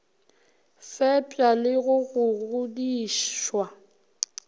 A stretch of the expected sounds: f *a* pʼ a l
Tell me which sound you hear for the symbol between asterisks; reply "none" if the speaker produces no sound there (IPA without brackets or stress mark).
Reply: ɛ